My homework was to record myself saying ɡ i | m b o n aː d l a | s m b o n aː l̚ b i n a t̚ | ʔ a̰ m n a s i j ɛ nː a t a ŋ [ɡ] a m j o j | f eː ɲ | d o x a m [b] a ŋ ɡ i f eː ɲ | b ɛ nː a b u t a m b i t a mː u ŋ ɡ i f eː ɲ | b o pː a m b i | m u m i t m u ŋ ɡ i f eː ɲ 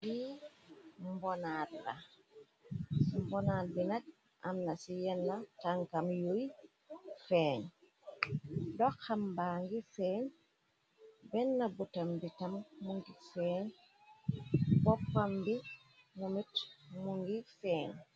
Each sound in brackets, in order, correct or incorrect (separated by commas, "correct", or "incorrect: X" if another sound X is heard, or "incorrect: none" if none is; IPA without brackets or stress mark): incorrect: k, correct